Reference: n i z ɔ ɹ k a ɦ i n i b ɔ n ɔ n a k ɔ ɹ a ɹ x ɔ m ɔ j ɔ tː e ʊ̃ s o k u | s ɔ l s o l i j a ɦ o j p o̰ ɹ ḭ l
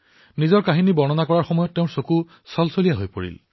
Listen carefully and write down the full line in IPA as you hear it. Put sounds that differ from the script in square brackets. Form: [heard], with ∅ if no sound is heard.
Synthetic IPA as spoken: n i z ɔ ɹ k a ɦ i n i b ɔ n ɔ n a k ɔ ɹ a ɹ x ɔ m ɔ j ɔ tː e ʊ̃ s o k u | s ɔ l s o l i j a ɦ o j p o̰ ɹ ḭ l